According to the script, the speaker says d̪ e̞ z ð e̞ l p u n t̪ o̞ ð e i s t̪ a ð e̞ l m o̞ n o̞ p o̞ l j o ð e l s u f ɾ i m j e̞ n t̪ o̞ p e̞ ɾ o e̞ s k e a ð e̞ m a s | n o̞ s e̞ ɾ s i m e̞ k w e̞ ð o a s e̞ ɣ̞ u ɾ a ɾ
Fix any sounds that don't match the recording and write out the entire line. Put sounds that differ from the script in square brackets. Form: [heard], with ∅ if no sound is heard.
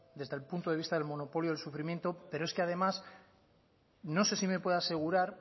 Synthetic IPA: d̪ e̞ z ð e̞ l p u n t̪ o̞ ð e i s t̪ a ð e̞ l m o̞ n o̞ p o̞ l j o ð e l s u f ɾ i m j e̞ n t̪ o̞ p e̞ ɾ o e̞ s k e a ð e̞ m a s | n o̞ s e̞ [∅] s i m e̞ [p] w e̞ ð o a s e̞ ɣ̞ u ɾ a ɾ